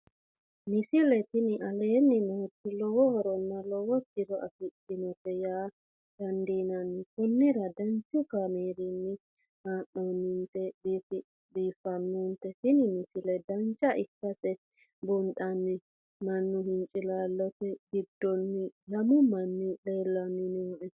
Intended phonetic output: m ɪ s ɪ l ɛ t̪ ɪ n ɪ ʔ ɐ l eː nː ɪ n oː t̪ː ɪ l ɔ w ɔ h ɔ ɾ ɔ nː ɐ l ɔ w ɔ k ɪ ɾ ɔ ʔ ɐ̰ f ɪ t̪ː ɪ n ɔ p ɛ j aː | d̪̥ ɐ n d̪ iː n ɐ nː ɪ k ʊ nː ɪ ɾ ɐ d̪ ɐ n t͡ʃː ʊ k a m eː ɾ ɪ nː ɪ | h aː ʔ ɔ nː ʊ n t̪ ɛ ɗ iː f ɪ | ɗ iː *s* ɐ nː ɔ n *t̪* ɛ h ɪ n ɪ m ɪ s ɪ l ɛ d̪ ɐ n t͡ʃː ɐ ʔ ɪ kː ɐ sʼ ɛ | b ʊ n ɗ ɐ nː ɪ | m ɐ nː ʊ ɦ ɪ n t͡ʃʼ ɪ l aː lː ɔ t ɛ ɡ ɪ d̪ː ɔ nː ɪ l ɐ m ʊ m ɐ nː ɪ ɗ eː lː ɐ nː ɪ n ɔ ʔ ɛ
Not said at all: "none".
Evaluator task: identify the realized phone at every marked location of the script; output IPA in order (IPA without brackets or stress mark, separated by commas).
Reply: f, t̪